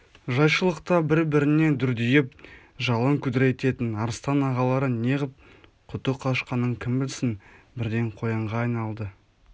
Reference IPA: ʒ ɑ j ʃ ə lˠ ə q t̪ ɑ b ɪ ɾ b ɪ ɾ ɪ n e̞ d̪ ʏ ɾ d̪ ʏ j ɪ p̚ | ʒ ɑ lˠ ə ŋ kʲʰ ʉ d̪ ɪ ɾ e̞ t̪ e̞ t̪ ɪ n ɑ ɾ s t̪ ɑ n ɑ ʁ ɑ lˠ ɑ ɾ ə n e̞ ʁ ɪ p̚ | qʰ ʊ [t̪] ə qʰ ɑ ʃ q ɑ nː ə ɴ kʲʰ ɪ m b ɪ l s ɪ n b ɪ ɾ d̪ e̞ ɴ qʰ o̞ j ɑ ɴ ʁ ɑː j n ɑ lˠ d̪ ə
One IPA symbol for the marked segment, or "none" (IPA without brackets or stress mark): t̪